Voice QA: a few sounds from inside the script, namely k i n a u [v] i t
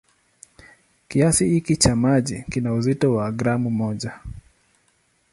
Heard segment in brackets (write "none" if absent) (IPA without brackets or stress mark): z